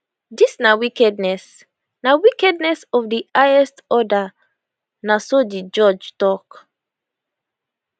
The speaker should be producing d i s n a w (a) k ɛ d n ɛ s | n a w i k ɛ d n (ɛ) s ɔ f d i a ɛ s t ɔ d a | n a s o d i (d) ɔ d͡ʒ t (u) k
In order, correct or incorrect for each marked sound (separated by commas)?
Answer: incorrect, correct, incorrect, incorrect